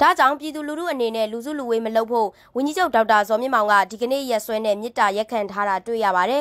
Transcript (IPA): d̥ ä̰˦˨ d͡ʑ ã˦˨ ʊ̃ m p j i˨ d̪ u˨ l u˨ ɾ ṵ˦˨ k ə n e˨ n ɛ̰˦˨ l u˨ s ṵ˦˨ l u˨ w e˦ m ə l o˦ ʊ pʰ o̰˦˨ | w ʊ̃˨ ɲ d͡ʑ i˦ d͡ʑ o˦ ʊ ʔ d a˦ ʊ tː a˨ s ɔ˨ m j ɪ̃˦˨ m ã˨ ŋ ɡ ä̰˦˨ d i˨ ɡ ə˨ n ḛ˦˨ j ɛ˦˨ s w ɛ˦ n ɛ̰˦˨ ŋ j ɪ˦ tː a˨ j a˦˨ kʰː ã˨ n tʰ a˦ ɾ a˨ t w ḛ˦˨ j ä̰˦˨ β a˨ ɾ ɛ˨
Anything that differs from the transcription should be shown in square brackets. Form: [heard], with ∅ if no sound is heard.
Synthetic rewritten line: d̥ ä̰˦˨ d͡ʑ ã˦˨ ʊ̃ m p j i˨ d̪ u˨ l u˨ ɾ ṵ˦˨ [ʔ] ə n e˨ n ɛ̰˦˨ l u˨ [z] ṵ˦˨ l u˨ w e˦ m ə l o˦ ʊ pʰ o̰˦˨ | w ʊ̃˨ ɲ d͡ʑ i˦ d͡ʑ o˦ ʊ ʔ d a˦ ʊ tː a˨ [z] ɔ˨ m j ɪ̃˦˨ m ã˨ ŋ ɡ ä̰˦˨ d i˨ ɡ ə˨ n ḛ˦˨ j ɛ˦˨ s w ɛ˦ n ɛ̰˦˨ [m] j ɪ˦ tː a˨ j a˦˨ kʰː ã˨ n tʰ a˦ ɾ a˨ t w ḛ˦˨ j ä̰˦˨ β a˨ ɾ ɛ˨